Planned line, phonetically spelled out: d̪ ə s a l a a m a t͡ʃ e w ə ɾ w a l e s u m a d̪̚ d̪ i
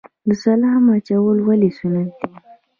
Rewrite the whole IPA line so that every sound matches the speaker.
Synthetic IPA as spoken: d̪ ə s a l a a m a t͡ʃ a w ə l w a l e s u n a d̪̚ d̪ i

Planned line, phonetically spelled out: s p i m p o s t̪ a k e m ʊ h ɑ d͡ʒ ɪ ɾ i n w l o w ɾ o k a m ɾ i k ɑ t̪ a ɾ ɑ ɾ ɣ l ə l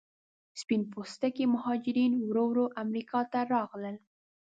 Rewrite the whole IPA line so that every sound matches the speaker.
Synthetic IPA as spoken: s p i n p o s t̪ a k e m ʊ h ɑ d͡ʒ ɪ ɾ i n w ɾ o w ɾ o ʔ a m ɾ i k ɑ t̪ a ɾ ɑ ɣ l ə l

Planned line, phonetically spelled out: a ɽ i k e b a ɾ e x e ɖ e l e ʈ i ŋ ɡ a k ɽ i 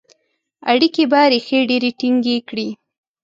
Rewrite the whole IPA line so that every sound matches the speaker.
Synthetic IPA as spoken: a ɽ i k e b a ɾ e x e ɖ e ɾ e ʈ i ŋ ɡ e k ɽ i

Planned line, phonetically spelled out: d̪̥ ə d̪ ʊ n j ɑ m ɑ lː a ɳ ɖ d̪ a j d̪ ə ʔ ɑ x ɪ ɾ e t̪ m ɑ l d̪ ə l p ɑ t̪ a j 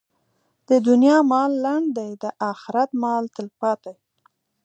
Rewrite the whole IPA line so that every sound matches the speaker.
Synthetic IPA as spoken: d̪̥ ə d̪ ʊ n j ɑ m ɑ lː a ɳ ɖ d̪ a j d̪ ə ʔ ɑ x ɪ ɾ a t̪ m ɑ l t̪ ə l p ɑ t̪ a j

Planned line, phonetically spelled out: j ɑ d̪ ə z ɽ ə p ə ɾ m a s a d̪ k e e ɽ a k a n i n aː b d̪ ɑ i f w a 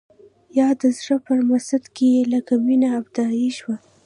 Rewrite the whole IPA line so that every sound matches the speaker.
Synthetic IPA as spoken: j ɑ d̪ ə z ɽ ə p ə ɾ m a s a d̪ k e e l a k a m i n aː b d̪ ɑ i ʃ w a

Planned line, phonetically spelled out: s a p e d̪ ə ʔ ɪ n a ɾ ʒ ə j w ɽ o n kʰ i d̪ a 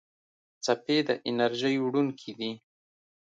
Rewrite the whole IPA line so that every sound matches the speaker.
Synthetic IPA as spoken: t͡s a p e d̪ ə ʔ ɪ n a ɾ ʒ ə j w ɽ u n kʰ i d̪ i

